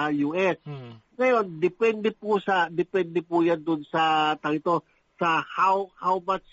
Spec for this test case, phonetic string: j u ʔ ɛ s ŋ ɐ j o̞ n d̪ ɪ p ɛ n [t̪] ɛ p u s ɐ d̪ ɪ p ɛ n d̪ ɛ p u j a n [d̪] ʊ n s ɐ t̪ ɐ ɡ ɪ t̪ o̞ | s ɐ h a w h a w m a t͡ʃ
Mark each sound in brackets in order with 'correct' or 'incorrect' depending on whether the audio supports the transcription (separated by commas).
incorrect, correct